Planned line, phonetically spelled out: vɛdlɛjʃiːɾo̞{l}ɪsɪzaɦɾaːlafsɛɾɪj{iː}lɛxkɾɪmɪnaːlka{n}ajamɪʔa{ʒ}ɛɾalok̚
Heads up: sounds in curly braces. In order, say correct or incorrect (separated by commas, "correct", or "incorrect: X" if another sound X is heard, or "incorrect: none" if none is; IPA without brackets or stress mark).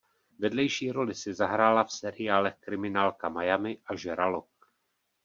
correct, incorrect: aː, incorrect: m, correct